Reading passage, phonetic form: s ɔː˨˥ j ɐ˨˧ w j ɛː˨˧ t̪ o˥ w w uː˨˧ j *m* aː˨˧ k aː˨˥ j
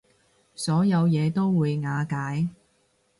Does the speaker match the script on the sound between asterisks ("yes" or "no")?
no